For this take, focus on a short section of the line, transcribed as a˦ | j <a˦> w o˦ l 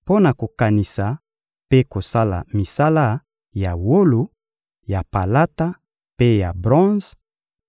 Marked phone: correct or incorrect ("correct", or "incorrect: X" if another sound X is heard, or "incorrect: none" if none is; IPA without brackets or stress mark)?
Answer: incorrect: a˨